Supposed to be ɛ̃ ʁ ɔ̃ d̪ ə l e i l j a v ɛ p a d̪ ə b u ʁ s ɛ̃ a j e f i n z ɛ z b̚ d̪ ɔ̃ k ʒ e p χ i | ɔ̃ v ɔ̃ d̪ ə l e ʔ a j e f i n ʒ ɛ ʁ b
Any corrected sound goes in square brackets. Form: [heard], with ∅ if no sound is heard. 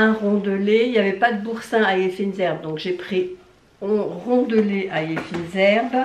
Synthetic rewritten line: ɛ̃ ʁ ɔ̃ d̪ ə l e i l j a v ɛ p a d̪ ə b u ʁ s ɛ̃ a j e f i n z ɛ [ʁ] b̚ d̪ ɔ̃ k ʒ e p χ i | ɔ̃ [ʁ] ɔ̃ d̪ ə l e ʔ a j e f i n [z] ɛ ʁ b

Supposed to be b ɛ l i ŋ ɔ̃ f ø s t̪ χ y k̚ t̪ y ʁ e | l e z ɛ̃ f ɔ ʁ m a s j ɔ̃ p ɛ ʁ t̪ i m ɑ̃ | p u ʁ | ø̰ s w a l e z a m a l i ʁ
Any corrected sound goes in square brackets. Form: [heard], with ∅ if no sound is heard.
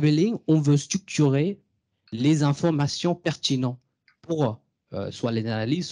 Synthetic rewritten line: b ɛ l i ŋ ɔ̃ [v] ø s t̪ χ y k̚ t̪ y ʁ e | l e z ɛ̃ f ɔ ʁ m a s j ɔ̃ p ɛ ʁ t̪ i [n] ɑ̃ | p u ʁ | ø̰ s w a l e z a [n] a l i [z]

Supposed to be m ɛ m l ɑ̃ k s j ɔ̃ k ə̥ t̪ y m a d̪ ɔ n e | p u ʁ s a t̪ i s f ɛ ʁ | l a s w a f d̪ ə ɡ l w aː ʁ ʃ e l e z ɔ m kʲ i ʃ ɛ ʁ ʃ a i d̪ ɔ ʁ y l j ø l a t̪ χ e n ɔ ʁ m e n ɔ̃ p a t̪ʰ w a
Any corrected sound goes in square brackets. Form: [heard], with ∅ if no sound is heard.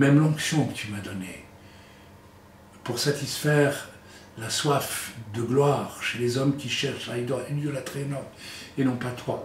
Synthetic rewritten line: m ɛ m l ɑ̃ k s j ɔ̃ k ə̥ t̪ y m a d̪ ɔ n e | p u ʁ s a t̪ i s f ɛ ʁ | l a s w a f d̪ ə ɡ l w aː ʁ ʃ e l e z ɔ m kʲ i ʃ ɛ ʁ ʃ a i d̪ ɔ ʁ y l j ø l a t̪ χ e n ɔ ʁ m e n ɔ̃ p a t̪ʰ w a

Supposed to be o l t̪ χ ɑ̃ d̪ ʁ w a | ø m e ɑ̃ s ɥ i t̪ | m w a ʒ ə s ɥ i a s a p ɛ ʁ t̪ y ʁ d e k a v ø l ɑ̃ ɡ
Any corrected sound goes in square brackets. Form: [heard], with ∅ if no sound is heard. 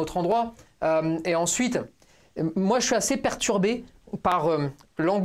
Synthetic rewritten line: o [∅] t̪ χ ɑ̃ d̪ ʁ w a | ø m e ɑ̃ s ɥ i t̪ | m w a ʒ ə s ɥ i a s [e] p ɛ ʁ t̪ y ʁ [b] e [p] a [ʁ] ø l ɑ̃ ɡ

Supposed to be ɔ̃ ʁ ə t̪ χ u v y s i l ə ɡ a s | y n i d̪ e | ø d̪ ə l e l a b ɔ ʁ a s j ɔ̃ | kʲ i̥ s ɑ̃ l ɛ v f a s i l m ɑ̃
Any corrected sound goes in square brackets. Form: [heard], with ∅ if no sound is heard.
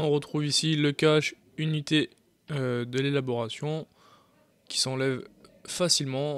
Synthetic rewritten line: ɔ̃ ʁ ə t̪ χ u v [i] s i l ə [k] a [ʃ] | y n i [t̪] e | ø d̪ ə l e l a b ɔ ʁ a s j ɔ̃ | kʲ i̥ s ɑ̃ l ɛ v f a s i l m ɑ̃

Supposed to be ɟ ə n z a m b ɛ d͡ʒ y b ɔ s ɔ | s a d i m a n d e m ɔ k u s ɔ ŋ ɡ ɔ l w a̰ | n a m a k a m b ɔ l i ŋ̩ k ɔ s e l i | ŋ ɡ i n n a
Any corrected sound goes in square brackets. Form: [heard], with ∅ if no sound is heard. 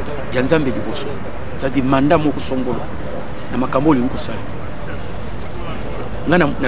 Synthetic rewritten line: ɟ [a] n z a m b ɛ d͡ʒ [i] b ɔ s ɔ | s a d i m a n d [a] m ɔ k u s ɔ ŋ ɡ ɔ l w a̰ | n a m a k a m b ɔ l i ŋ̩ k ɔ s [a] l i | ŋ ɡ [a] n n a

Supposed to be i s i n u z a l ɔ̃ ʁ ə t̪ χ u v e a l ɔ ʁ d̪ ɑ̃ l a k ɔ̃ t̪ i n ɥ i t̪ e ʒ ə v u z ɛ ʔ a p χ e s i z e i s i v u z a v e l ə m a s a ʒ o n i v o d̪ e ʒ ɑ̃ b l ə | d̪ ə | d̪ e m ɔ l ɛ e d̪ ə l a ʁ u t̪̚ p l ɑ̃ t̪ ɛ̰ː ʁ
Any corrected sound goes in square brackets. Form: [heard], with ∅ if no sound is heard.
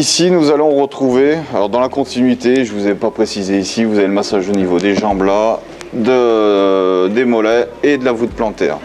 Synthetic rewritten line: i s i n u z a l ɔ̃ ʁ ə t̪ χ u v e a l ɔ ʁ d̪ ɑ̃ l a k ɔ̃ t̪ i n ɥ i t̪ e ʒ ə v u z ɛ [p] a p χ e s i z e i s i v u z a v e l ə m a s a ʒ o n i v o d̪ e ʒ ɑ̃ b l [a] | d̪ ə | d̪ e m ɔ l ɛ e d̪ ə l a [v] u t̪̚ p l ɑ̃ t̪ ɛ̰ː ʁ

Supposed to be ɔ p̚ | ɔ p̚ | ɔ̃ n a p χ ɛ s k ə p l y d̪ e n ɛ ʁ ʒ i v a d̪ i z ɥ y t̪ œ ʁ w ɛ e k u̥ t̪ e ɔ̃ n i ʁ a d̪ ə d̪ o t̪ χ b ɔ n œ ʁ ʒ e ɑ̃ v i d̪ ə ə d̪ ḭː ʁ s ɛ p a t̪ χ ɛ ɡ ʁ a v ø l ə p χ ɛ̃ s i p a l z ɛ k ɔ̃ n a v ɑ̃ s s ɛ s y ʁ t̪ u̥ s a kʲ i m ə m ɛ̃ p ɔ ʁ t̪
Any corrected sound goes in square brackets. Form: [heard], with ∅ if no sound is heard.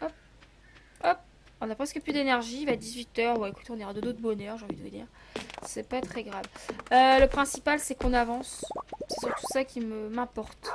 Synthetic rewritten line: ɔ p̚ | ɔ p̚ | ɔ̃ n a p χ ɛ s k ə p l y d̪ e n ɛ ʁ ʒ i v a d̪ i z ɥ [i] t̪ œ ʁ w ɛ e k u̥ t̪ e ɔ̃ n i ʁ a d̪ ə d̪ o t̪ χ b ɔ n œ ʁ ʒ e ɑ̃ v i d̪ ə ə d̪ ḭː ʁ s ɛ p a t̪ χ ɛ ɡ ʁ a v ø l ə p χ ɛ̃ s i p a l [s] ɛ k ɔ̃ n a v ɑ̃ s s ɛ s y ʁ t̪ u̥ s a kʲ i m ə m ɛ̃ p ɔ ʁ t̪

